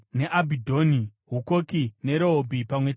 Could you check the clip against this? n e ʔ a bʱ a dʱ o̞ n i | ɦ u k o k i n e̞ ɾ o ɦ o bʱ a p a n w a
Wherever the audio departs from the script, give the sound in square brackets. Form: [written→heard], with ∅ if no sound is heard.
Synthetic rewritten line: n e ʔ a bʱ [a→i] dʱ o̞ n i | ɦ u k o k i n e̞ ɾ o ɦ o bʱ [a→i] p a [n→m] w [a→e]